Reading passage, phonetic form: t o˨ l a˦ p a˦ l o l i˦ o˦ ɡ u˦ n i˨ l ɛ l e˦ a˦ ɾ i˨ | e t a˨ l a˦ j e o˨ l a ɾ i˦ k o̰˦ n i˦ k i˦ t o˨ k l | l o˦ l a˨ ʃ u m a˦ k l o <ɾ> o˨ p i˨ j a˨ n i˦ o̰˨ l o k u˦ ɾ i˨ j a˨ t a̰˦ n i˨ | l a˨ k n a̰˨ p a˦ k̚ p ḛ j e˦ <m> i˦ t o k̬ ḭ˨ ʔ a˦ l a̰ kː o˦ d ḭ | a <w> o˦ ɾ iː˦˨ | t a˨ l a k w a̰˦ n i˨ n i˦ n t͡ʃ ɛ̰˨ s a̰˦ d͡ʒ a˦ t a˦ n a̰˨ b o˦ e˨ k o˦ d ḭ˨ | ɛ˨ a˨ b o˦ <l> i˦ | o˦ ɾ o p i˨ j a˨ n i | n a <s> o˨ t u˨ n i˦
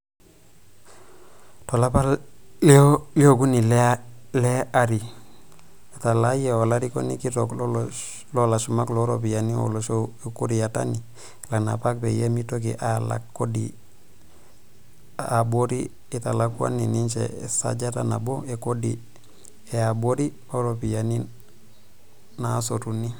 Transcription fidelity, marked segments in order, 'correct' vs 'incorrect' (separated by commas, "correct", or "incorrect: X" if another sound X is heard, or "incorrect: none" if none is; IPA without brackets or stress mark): correct, correct, incorrect: b, incorrect: ɾ, correct